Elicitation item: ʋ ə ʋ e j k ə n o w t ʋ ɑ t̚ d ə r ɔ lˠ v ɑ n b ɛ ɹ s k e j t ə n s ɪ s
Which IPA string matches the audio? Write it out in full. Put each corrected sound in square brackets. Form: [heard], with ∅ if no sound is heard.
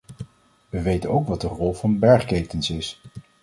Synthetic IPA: ʋ ə ʋ e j [t] ə n o w [k] ʋ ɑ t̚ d ə r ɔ lˠ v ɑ n b ɛ ɹ [χ] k e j t ə n s ɪ s